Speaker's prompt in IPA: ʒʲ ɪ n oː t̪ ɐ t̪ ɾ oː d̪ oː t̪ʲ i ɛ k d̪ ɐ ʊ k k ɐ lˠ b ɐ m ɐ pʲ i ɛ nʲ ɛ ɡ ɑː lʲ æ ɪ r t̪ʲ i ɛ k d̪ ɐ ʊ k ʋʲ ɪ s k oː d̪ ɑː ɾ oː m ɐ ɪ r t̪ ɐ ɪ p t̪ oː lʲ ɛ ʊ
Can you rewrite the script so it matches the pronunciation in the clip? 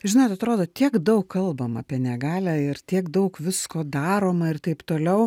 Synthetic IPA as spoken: ʒʲ ɪ n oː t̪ ɐ t̪ ɾ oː d̪ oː t̪ʲ i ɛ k d̪ ɐ ʊ k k ɐ lˠ b ɐ m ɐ pʲ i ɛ nʲ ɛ ɡ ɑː lʲ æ ɪ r t̪ʲ i ɛ k d̪ ɐ ʊ k ʋʲ ɪ s k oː d̪ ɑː ɾ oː m ɐ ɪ r t̪ ɐ ɪ p t̪ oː lʲ ɛ ʊ

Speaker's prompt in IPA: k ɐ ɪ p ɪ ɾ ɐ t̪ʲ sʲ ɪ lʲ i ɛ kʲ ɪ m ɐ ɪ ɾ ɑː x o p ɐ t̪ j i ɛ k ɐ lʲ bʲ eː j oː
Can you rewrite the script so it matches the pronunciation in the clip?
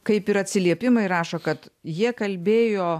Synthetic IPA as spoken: k ɐ ɪ p ɪ ɾ ɐ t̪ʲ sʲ ɪ lʲ i ɛ pʲ ɪ m ɐ ɪ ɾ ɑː ʃ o k ɐ t̪ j i ɛ k ɐ lʲ bʲ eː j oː

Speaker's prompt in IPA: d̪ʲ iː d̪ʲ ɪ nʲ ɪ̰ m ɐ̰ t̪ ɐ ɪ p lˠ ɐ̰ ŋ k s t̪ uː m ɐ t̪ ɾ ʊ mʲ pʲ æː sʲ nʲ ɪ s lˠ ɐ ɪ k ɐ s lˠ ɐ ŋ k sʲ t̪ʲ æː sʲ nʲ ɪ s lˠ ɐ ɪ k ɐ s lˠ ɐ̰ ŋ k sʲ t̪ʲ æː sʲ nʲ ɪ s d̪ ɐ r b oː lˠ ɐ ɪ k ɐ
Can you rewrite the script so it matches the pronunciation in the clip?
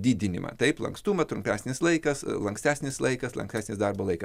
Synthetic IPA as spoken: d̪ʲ iː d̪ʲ ɪ nʲ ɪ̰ m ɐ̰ t̪ ɐ ɪ p lˠ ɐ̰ ŋ k s t̪ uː m ɐ t̪ ɾ ʊ mʲ pʲ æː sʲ nʲ ɪ s lˠ ɐ ɪ k ɐ s lˠ ɐ ŋ k sʲ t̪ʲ æː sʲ nʲ ɪ s lˠ ɐ ɪ k ɐ s lˠ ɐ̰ ŋ k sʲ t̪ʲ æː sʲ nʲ ɪ s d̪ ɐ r b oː lˠ ɐ ɪ k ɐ

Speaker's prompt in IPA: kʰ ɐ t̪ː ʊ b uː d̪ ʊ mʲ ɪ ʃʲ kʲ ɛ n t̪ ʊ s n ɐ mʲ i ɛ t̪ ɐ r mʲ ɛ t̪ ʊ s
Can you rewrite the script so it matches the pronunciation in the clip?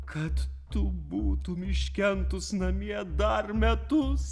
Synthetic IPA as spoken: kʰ ɐ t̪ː ʊ b uː t̪ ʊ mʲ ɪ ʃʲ kʲ ɛ n t̪ ʊ s n ɐ mʲ i ɛ d̪ ɐ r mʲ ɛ t̪ ʊ s

